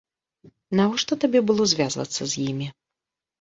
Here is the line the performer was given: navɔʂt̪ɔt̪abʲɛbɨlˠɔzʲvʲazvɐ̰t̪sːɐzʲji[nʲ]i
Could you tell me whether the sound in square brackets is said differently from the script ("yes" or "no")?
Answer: yes